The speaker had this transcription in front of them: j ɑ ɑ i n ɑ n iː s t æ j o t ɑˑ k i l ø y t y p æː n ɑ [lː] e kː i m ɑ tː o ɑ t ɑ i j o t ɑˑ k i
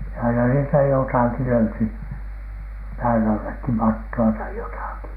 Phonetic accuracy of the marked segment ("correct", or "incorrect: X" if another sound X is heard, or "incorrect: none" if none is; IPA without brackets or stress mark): correct